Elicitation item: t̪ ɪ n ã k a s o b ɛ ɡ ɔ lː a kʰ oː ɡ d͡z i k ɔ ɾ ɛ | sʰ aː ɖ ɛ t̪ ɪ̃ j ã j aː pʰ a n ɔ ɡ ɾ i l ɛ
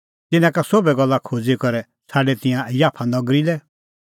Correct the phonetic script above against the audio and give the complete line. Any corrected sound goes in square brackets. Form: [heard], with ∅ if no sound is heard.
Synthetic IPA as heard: t̪ ɪ n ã k a s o b ɛ ɡ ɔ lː a kʰ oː [∅] d͡z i k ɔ ɾ ɛ | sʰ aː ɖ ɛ t̪ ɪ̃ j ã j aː pʰ a n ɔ ɡ ɾ i l ɛ